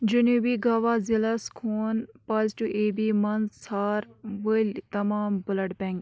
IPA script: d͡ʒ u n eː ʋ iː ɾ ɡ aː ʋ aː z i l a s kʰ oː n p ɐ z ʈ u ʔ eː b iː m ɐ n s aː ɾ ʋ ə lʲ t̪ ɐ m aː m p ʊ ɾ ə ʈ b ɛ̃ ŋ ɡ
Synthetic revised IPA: d͡ʒ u n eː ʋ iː ɡ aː ʋ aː z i l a s kʰ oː n p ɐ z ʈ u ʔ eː b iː m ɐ n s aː ɾ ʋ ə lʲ t̪ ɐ m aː m b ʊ l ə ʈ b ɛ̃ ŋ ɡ